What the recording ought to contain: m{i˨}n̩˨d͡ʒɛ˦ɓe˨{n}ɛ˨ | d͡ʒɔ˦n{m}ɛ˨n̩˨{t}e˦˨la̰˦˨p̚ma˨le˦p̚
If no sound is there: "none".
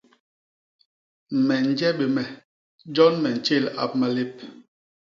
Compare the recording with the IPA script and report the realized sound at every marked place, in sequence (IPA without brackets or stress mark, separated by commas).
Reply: ɛ˨, m, m, t͡ʃ